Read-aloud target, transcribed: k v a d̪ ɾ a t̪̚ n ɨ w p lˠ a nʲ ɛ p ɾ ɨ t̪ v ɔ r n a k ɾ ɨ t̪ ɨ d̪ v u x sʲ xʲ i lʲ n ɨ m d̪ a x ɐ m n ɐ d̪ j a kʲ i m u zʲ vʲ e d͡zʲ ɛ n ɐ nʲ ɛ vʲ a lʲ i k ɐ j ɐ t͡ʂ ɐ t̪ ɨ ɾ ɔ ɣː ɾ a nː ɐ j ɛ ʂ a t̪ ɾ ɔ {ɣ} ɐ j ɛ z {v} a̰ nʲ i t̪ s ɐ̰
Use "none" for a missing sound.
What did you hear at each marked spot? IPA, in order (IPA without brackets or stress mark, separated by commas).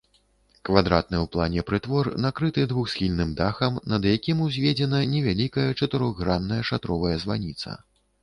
v, v